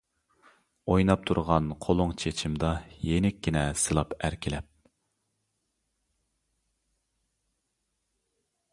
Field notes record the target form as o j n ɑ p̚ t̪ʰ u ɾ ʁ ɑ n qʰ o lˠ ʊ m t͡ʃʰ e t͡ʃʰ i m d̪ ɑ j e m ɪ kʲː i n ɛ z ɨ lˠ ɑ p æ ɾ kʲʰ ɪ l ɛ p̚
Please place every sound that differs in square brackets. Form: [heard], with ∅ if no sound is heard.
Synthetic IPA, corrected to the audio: o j n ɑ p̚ t̪ʰ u ɾ ʁ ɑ n qʰ o lˠ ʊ [ŋ] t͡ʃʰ e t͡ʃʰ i m d̪ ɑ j e [n] ɪ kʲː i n ɛ [s] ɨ lˠ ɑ p æ ɾ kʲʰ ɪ l ɛ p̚